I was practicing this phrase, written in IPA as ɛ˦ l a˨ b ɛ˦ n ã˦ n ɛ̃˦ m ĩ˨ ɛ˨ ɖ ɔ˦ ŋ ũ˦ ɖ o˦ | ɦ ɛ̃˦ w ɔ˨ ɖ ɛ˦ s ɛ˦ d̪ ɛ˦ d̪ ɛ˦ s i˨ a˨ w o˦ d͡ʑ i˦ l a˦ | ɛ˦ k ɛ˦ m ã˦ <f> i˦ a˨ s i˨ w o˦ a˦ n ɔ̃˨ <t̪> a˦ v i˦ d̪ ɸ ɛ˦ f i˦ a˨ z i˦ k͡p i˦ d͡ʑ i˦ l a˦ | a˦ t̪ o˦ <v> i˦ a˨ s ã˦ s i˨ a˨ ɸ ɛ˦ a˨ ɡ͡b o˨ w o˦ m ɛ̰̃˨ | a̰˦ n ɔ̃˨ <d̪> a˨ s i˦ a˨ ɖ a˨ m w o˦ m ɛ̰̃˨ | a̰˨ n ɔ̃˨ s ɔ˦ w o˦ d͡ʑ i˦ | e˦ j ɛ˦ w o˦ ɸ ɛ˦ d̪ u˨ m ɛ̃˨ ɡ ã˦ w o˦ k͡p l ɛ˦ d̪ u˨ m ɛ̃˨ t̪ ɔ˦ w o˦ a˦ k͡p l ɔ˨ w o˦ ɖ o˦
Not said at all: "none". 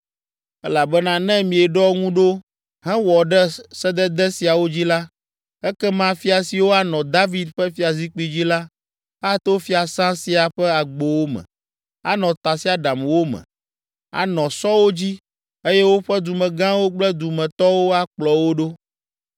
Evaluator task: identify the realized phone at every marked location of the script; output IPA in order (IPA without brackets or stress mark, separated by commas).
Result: f, d̪, f, t̪